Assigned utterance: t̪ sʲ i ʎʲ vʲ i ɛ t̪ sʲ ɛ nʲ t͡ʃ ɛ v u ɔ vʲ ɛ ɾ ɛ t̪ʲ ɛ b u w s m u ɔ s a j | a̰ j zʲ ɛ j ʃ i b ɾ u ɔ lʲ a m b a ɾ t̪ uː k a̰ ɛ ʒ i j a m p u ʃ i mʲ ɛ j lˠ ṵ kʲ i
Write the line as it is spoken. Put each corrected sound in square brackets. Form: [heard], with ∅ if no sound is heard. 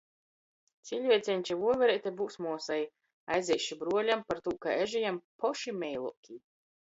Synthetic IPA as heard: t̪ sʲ i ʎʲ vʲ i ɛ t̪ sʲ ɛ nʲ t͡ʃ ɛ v u ɔ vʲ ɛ ɾ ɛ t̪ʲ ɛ b u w s m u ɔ s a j | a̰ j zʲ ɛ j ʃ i b ɾ u ɔ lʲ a m [p] a ɾ t̪ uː k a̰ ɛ ʒ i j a m p [ɔ] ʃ i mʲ ɛ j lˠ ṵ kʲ i